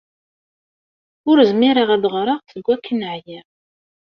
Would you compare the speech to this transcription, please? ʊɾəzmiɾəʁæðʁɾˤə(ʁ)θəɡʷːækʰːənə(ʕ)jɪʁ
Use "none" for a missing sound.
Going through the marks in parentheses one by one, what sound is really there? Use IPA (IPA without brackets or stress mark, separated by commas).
ʁ, ʕ